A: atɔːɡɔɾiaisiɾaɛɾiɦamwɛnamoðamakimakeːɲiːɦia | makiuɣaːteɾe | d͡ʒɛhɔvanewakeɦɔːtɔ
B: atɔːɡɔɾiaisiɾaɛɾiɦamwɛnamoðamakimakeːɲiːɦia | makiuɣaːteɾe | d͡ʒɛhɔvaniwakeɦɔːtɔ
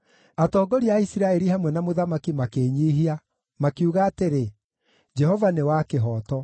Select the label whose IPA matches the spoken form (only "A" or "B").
A